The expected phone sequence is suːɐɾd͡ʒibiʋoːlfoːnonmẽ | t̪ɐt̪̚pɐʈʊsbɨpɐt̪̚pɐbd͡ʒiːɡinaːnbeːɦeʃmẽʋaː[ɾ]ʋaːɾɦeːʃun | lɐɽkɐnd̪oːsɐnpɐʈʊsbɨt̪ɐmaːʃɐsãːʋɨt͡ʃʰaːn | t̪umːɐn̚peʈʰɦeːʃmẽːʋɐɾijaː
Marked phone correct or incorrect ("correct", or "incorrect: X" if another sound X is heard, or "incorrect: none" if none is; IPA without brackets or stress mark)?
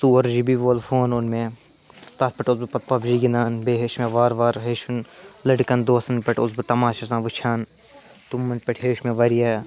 correct